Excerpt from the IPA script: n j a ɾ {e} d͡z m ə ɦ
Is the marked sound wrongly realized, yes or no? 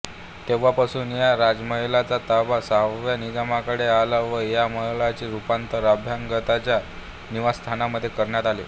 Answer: yes